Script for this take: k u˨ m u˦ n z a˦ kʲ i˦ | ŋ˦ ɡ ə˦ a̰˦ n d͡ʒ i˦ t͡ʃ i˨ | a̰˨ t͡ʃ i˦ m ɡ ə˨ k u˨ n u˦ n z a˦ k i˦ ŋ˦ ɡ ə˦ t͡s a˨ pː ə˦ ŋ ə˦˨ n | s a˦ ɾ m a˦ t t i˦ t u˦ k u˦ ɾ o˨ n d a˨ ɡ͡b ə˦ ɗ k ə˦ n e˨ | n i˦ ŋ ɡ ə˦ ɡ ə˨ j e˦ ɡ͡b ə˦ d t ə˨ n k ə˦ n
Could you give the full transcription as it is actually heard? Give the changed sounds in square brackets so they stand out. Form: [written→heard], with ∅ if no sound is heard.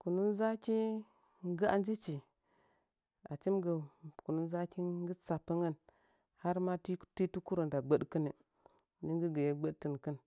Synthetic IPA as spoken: k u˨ [m→n] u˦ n z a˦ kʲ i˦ | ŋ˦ ɡ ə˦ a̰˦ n d͡ʒ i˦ t͡ʃ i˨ | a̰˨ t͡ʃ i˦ m ɡ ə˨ k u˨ n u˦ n z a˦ k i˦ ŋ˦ ɡ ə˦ t͡s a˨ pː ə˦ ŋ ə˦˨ n | [s→h] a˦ ɾ m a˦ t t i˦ t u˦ k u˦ ɾ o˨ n d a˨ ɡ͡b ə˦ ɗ k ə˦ n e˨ | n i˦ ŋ ɡ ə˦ ɡ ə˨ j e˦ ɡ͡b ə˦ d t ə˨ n k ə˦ n